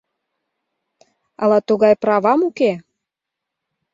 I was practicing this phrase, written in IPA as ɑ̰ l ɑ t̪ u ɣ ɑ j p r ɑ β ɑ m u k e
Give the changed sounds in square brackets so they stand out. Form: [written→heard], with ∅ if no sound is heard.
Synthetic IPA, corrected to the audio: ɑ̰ l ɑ t̪ u ɣ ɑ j p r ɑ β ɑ m u k e